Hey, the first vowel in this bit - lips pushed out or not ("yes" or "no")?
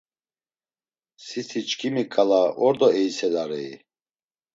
no